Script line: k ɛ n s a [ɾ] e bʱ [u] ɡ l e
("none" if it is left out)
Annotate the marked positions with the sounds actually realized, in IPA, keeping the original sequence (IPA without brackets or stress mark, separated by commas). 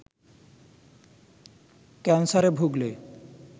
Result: ɾ, u